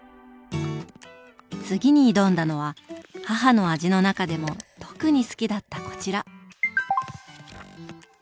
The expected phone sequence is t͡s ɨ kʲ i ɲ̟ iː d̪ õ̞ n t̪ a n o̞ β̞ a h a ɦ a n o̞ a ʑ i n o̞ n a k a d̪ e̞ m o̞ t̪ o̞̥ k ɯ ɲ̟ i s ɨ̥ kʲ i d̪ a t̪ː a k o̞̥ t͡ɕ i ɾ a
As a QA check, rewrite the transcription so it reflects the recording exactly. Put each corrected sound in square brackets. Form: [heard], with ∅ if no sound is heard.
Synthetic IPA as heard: t͡s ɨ [ɡʲ] i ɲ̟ iː d̪ õ̞ n [d̪] a n o̞ β̞ a h a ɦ a n o̞ a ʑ i n o̞ n a k a d̪ e̞ m o̞ t̪ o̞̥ k ɯ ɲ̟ i s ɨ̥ kʲ i d̪ a t̪ː a k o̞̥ t͡ɕ i ɾ a